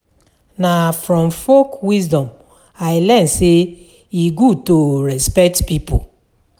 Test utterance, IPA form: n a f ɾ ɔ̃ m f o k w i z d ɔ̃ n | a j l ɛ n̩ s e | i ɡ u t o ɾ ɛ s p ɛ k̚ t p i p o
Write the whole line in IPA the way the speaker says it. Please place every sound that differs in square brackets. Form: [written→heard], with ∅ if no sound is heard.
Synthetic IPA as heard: n a f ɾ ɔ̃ m f o k w i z d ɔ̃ [n→m] | a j l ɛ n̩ s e | i ɡ u t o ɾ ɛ s p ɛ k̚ t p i p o